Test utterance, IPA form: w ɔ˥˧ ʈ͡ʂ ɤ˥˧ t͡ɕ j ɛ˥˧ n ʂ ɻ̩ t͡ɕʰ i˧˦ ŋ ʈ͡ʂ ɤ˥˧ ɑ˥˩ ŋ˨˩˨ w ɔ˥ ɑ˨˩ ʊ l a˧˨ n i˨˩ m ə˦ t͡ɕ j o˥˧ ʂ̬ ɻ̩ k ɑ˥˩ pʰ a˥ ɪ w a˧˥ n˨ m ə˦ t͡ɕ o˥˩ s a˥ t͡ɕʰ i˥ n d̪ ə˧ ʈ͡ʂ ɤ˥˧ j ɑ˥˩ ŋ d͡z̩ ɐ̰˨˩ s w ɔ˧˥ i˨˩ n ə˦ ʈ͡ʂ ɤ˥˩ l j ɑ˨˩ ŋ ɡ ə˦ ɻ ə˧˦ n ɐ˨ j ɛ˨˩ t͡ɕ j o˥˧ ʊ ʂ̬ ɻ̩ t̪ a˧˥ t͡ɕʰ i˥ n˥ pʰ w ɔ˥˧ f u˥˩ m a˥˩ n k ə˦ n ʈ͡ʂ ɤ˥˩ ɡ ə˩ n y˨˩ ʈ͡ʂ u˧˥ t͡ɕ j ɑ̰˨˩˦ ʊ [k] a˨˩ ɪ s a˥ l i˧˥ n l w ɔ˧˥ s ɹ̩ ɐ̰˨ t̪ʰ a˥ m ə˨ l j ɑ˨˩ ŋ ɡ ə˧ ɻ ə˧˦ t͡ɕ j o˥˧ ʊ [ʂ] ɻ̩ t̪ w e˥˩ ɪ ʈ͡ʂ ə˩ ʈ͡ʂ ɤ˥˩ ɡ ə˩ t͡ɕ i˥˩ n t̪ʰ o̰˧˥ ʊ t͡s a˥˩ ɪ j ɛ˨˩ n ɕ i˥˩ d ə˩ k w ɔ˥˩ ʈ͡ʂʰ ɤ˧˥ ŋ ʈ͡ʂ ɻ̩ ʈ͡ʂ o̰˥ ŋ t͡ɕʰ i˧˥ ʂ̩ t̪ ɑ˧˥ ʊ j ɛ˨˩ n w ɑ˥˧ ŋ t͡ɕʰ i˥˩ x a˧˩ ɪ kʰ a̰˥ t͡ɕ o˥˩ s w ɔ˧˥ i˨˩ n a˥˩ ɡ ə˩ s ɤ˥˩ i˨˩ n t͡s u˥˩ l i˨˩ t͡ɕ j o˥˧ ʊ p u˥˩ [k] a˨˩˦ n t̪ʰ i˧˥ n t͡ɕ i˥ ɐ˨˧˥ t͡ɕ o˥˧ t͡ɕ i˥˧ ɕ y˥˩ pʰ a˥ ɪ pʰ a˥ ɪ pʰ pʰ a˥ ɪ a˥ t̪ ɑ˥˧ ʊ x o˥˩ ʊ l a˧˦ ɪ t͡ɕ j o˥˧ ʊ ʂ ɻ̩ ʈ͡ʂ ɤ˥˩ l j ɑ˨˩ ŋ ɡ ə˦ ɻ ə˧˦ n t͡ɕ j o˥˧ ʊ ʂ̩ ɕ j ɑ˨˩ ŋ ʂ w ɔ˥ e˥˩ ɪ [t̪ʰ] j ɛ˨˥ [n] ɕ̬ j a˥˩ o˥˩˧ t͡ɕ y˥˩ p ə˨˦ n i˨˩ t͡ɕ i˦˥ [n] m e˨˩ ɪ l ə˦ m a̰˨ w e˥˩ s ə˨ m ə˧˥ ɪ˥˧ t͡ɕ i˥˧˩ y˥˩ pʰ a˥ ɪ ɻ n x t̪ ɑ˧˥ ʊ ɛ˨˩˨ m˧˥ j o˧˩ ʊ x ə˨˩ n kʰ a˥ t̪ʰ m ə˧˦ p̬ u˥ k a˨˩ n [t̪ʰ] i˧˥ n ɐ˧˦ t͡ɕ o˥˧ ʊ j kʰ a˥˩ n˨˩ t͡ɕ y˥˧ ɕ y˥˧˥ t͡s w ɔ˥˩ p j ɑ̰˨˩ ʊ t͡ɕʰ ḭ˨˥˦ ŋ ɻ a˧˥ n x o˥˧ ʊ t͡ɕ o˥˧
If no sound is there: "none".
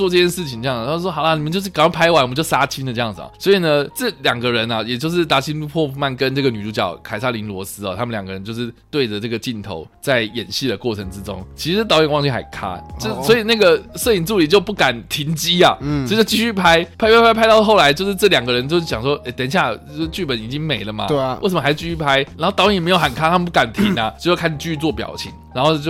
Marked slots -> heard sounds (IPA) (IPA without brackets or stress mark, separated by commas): kʰ, ʂ, k, t̪, n, ŋ, t̪ʰ